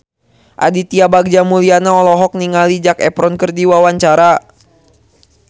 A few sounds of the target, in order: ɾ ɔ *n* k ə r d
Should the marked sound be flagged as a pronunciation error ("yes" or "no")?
no